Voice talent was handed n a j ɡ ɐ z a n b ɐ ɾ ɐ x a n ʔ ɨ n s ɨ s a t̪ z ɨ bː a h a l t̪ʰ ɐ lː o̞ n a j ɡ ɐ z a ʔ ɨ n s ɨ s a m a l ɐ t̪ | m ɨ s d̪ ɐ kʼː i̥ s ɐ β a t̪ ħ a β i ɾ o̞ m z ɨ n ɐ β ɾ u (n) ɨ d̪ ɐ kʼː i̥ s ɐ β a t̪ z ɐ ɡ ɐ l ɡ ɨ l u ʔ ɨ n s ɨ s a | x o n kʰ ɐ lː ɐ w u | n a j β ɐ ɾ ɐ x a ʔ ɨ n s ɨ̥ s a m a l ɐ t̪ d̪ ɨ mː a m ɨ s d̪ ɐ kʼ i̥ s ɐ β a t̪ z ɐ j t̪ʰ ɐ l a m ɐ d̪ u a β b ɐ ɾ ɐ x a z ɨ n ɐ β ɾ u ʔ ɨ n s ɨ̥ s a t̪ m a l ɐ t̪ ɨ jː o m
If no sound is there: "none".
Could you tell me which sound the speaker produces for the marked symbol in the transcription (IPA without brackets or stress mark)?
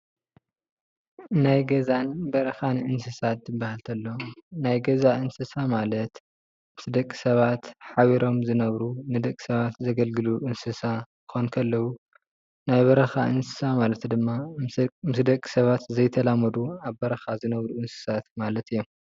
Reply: n